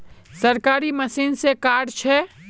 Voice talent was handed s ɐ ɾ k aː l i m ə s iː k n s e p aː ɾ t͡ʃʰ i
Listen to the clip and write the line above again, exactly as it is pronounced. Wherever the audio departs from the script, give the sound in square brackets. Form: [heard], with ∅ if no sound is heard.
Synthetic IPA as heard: s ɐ ɾ k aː [ɾ] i m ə s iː [∅] n s e [k] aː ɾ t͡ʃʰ [ɛ]